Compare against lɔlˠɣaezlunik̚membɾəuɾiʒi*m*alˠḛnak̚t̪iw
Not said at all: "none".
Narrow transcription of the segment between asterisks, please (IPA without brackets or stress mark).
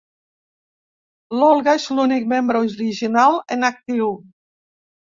n